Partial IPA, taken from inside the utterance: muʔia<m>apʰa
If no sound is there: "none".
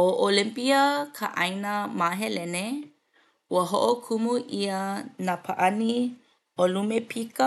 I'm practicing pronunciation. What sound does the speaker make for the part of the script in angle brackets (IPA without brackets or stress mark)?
n